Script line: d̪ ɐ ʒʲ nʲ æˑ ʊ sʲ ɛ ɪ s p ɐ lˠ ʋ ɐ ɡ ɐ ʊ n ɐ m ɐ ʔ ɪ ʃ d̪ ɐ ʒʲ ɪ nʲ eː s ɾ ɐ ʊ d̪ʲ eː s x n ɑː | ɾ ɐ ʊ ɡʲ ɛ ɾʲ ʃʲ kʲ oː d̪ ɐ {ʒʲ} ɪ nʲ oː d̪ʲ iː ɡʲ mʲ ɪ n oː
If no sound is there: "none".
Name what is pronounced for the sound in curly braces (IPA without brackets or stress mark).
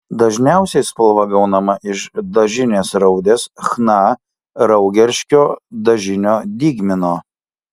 ʒʲ